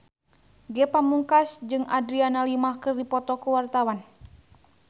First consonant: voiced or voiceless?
voiced